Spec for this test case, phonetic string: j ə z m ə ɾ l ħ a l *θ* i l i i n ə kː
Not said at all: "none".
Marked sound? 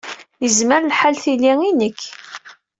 θ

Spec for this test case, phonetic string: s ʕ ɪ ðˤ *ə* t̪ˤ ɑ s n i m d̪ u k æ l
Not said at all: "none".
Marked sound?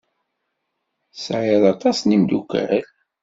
ɑ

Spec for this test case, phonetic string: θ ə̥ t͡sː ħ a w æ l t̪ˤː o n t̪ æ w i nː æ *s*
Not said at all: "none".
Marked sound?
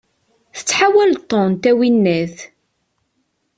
θ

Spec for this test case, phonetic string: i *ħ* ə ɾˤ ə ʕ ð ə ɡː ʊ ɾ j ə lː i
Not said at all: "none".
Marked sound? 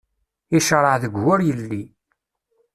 ʃ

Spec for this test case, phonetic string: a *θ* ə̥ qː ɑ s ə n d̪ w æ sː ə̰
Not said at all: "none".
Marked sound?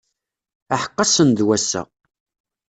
ħ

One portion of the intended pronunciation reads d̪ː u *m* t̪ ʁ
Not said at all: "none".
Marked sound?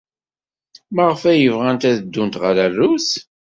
n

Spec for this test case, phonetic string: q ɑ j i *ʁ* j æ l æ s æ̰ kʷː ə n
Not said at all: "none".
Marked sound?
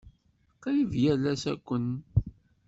v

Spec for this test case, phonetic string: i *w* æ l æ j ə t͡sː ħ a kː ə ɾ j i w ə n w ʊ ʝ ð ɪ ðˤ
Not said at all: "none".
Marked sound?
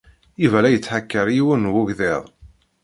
v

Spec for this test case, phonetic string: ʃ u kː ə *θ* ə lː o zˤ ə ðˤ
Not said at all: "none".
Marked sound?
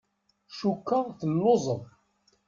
θ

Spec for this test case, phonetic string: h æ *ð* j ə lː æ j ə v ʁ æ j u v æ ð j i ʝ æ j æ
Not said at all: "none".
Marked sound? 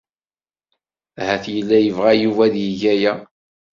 θ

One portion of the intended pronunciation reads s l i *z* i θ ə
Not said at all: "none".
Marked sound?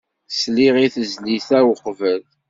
ʁ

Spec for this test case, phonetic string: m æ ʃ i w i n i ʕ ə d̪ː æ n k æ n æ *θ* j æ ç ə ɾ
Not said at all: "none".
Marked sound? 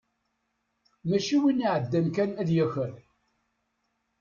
ð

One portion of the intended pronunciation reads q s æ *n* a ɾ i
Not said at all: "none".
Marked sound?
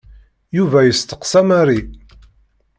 m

